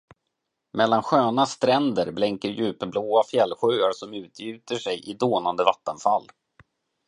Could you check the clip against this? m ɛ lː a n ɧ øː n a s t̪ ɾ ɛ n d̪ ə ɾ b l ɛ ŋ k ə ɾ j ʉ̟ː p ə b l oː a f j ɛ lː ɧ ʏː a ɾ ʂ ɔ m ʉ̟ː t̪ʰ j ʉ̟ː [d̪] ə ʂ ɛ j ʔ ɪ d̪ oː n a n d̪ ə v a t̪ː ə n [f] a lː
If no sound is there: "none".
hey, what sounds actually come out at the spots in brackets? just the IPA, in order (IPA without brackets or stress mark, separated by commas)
t̪, f